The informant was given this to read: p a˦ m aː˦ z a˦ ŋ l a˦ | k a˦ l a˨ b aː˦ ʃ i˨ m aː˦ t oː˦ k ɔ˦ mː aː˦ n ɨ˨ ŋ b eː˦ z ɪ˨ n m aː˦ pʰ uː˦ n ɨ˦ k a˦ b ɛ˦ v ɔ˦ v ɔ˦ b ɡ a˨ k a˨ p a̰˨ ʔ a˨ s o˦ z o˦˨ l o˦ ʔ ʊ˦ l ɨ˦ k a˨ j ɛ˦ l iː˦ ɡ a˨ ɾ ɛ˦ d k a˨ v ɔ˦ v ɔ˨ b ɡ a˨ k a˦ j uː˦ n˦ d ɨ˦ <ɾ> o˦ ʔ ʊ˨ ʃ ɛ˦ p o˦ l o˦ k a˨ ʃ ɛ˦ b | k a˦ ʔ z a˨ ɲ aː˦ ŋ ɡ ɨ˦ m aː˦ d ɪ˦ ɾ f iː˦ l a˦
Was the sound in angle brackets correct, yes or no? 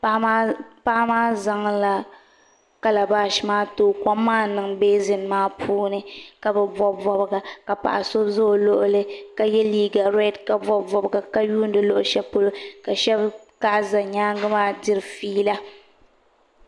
no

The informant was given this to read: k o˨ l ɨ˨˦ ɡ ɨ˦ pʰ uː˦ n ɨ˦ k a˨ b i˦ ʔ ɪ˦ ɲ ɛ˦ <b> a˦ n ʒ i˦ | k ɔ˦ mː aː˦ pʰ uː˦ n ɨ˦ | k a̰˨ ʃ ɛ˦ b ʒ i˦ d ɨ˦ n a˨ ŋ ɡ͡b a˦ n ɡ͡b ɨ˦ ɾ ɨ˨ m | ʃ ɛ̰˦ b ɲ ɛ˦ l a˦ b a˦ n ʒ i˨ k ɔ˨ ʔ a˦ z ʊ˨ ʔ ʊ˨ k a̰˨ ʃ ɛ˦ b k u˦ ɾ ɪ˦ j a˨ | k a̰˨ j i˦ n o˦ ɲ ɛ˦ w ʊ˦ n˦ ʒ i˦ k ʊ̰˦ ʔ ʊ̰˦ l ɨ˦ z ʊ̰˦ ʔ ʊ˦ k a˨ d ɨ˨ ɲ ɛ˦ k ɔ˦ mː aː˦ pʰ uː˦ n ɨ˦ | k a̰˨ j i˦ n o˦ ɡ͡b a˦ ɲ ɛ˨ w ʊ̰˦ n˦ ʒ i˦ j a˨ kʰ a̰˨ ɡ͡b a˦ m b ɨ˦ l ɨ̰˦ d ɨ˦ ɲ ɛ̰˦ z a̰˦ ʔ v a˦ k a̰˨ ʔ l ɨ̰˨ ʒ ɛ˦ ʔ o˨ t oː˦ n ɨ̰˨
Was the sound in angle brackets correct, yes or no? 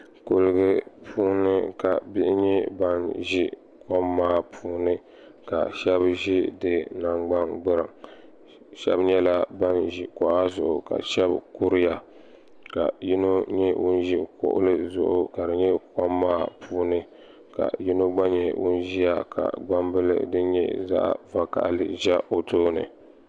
yes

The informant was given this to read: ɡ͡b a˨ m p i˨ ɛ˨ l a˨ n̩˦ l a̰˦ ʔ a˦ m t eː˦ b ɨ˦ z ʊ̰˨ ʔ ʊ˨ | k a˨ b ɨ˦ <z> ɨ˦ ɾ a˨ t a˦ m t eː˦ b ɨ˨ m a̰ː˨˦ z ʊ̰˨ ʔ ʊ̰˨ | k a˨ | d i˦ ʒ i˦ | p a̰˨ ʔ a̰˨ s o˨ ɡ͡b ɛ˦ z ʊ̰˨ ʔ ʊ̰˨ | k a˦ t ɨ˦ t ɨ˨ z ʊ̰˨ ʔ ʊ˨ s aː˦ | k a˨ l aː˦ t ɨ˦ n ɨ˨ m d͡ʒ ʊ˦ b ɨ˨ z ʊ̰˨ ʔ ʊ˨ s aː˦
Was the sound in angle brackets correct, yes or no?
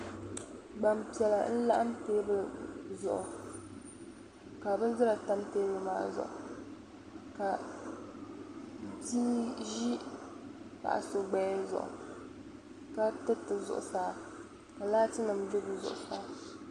yes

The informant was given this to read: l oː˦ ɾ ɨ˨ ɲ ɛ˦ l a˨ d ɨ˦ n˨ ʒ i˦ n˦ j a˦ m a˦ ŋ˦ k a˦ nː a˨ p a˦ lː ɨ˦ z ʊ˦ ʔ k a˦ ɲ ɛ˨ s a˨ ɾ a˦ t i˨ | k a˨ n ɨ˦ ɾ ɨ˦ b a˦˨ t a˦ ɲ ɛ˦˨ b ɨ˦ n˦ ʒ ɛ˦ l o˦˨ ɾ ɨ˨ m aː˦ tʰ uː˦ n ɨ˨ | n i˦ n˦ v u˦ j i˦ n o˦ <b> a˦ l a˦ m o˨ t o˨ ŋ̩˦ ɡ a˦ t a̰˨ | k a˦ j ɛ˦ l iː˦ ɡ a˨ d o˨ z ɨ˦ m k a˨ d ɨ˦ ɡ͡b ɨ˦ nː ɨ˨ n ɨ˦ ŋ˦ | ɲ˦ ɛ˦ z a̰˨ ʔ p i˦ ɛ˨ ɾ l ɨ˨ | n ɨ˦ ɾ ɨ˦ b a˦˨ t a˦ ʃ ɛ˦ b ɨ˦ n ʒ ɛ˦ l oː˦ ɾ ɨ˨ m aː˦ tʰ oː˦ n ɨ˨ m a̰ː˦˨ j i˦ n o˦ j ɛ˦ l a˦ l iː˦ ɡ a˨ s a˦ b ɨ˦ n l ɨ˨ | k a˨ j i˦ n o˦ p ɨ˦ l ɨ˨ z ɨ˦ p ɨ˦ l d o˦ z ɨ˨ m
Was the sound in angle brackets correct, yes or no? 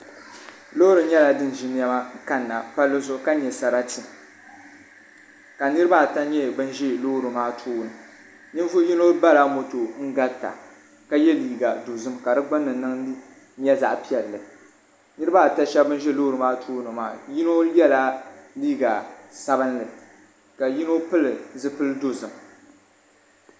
yes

